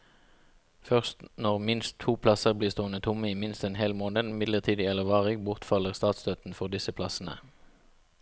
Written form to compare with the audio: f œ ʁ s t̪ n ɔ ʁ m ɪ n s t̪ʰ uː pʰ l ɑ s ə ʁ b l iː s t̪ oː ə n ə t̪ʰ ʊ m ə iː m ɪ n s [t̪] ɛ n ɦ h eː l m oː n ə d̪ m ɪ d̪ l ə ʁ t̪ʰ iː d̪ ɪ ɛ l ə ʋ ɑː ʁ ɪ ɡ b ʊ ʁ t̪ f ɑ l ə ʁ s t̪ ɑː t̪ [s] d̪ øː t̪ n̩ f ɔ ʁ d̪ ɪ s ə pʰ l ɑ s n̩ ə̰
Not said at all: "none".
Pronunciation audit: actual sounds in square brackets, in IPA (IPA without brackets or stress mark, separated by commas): t̪, s